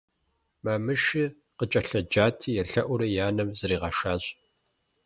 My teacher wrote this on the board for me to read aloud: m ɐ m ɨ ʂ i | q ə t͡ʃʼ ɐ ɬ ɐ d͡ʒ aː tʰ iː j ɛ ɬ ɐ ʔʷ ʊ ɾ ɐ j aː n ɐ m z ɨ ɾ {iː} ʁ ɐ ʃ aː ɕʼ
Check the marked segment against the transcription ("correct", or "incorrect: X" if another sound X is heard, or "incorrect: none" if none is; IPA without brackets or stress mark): correct